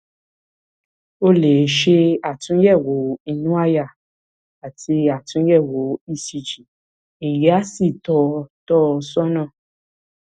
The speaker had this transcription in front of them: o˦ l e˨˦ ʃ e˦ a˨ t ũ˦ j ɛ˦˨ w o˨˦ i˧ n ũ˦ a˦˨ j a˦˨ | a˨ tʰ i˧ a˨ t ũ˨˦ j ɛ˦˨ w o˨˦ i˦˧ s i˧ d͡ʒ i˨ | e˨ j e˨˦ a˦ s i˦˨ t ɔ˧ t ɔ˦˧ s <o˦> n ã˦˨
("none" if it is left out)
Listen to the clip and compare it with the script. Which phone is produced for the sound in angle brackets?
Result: ɔ˦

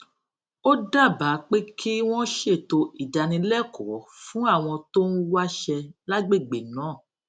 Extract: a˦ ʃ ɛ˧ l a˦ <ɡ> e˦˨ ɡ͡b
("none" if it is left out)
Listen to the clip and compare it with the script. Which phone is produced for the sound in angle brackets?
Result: ɡ͡b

